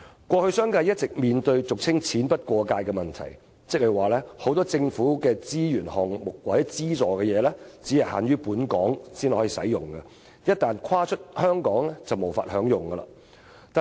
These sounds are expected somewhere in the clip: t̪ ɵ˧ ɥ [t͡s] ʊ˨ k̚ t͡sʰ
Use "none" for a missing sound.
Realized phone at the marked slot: t͡s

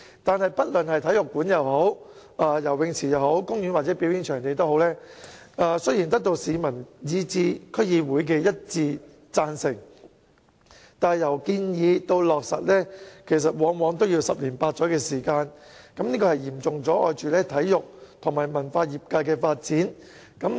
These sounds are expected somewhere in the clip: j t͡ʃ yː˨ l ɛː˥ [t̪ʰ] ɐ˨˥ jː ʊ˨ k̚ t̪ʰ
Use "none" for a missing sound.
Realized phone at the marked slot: t̪ʰ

